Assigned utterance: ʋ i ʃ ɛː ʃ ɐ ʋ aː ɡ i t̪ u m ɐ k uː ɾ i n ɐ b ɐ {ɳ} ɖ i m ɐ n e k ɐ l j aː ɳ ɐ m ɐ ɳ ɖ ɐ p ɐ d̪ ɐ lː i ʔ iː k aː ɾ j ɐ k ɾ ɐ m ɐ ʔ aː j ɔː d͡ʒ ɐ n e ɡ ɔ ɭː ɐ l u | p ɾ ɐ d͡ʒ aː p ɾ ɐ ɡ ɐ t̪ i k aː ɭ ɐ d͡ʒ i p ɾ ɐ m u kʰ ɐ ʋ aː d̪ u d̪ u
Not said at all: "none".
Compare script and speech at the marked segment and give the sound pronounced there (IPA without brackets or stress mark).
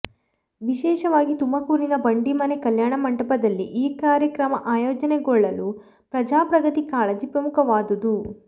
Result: ɳ